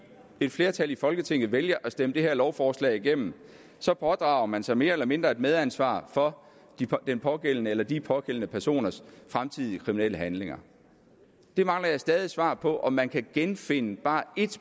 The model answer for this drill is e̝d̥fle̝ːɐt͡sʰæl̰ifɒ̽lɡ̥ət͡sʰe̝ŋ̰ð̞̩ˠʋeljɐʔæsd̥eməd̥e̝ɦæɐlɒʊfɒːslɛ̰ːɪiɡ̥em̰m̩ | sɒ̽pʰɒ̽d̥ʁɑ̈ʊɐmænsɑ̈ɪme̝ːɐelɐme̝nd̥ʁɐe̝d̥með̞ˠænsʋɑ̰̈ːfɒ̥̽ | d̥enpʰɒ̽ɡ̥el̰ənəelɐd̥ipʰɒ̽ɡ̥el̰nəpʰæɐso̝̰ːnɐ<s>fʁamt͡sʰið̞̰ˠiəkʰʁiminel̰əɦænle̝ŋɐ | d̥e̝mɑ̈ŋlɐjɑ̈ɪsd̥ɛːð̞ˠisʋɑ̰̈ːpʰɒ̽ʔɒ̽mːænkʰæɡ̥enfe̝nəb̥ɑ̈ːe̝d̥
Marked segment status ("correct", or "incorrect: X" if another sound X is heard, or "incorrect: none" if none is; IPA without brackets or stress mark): correct